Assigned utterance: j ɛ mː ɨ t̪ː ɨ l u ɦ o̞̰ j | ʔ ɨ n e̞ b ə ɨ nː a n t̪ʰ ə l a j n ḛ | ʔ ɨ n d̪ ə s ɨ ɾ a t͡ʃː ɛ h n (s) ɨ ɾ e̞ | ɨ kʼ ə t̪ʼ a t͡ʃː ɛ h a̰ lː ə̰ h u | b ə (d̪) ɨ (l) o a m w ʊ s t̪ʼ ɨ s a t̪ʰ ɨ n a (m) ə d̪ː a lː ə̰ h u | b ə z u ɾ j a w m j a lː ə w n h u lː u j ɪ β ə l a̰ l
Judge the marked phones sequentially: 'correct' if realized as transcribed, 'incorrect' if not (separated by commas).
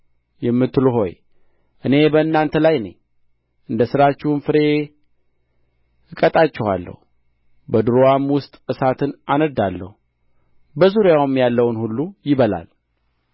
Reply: incorrect, correct, incorrect, incorrect